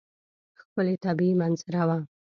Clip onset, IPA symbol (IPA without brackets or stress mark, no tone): x